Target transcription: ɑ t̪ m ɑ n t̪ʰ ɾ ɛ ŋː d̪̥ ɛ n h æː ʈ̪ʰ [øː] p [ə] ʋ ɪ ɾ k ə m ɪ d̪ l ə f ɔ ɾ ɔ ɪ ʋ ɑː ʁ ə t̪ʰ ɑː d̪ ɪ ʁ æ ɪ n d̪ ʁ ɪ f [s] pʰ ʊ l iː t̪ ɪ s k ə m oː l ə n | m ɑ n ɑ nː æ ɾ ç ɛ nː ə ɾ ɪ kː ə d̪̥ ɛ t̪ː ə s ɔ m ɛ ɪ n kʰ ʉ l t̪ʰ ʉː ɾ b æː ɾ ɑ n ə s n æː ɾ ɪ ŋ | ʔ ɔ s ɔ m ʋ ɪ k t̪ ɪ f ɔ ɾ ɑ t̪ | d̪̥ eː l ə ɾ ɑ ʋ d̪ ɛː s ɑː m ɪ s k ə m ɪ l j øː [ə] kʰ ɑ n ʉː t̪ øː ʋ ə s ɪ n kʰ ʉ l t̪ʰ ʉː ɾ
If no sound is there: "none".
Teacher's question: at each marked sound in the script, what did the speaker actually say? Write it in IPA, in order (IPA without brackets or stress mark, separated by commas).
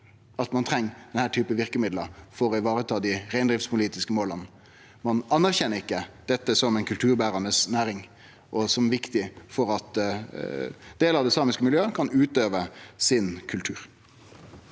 yː, ə, s, ə